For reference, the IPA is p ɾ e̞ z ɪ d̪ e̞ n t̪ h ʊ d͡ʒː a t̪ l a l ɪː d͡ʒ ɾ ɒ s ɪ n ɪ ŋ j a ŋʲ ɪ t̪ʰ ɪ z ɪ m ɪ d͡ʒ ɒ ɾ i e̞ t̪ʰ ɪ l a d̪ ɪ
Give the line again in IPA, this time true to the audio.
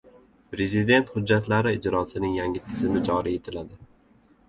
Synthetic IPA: p ɾ e̞ z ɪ d̪ e̞ n t̪ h ʊ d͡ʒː a t̪ l a ɾ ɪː d͡ʒ ɾ ɒ s ɪ n ɪ ŋ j a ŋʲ ɪ t̪ʰ ɪ z ɪ m ɪ d͡ʒ ɒ ɾ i e̞ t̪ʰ ɪ l a d̪ ɪ